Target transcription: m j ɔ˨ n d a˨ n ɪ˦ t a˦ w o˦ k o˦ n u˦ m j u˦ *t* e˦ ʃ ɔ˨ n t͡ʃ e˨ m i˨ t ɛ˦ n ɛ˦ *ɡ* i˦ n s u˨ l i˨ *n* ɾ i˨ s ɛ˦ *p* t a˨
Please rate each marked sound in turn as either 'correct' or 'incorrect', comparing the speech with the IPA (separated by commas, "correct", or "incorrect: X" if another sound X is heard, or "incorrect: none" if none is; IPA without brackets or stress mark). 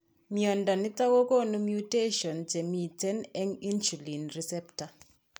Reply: correct, incorrect: ŋ, correct, correct